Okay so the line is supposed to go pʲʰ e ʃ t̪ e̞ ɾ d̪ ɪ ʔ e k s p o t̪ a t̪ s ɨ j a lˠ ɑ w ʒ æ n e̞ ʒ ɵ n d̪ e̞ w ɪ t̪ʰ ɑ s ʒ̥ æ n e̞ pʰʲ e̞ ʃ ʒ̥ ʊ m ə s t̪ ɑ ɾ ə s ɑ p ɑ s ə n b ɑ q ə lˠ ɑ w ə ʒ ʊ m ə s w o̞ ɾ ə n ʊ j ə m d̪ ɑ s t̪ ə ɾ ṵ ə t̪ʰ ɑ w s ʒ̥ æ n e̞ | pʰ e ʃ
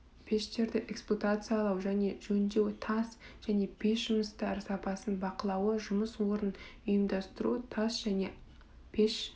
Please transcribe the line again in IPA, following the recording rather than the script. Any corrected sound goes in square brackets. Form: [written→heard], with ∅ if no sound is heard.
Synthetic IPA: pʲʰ e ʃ t̪ e̞ ɾ d̪ ɪ ʔ e k s p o t̪ a t̪ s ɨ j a lˠ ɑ w ʒ æ n e̞ ʒ ɵ n d̪ e̞ w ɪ t̪ʰ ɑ s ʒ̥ æ n e̞ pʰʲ e̞ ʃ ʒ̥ ʊ m ə s t̪ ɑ ɾ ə s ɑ p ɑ s ə n b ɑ q ə lˠ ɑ w ə ʒ ʊ m ə s w o̞ ɾ ə n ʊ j ə m d̪ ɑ s t̪ ə ɾ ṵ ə t̪ʰ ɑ [w→∅] s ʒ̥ æ n e̞ | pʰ e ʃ